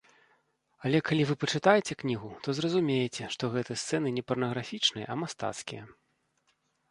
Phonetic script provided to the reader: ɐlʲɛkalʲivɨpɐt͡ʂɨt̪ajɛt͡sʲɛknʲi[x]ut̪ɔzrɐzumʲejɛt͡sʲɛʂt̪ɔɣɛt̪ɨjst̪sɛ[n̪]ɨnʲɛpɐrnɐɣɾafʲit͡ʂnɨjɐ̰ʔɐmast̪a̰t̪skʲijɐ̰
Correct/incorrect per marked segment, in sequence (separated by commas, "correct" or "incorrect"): incorrect, correct